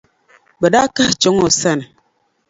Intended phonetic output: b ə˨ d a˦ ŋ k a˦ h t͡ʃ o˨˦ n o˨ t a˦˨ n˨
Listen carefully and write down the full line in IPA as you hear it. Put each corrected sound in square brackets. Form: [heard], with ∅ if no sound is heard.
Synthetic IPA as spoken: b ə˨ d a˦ [∅] k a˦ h t͡ʃ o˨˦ [ŋ] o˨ [s] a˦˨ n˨